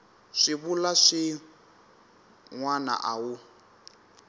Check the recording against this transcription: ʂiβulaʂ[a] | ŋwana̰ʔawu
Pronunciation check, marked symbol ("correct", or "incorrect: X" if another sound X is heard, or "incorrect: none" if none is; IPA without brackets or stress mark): incorrect: i